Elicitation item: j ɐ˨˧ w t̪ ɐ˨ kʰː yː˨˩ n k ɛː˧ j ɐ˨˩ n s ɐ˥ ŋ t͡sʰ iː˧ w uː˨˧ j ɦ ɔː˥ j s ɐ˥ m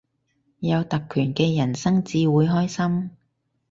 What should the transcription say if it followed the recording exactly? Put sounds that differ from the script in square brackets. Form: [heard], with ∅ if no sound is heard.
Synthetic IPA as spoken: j ɐ˨˧ w t̪ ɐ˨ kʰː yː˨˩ n k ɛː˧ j ɐ˨˩ n s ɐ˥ ŋ [t͡s] iː˧ w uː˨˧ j ɦ ɔː˥ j s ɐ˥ m